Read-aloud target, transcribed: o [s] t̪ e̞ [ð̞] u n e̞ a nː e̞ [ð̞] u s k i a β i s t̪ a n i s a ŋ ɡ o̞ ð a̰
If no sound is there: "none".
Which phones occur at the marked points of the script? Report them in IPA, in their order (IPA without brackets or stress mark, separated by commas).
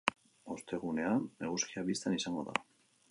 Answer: s, ɣ̞, ɣ̞